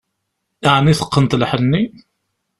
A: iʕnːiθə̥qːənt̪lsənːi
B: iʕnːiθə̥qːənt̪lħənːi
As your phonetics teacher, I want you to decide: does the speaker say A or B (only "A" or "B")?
B